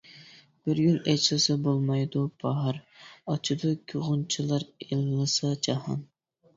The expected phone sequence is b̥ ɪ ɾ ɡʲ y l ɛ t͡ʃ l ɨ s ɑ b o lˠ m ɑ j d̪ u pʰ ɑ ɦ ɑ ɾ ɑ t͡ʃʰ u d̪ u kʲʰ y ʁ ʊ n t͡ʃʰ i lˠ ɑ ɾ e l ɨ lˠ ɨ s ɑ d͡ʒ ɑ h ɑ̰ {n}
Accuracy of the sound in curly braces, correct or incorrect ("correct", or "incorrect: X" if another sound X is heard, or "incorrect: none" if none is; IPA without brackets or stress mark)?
correct